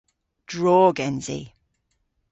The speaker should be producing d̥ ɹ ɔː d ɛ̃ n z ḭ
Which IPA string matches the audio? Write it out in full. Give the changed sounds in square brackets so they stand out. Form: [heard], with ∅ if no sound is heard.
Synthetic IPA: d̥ ɹ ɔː [ɡ] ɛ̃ n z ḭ